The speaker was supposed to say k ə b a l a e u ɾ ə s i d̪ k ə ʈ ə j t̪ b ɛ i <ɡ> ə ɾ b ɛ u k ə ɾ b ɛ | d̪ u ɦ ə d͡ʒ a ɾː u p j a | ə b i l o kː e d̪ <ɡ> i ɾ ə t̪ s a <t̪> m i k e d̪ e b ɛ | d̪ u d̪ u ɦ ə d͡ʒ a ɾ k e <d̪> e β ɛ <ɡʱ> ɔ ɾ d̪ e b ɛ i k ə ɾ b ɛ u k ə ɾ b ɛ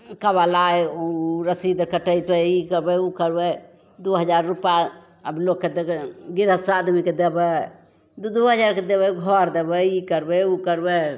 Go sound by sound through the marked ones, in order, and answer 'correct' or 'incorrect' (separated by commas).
incorrect, correct, incorrect, correct, correct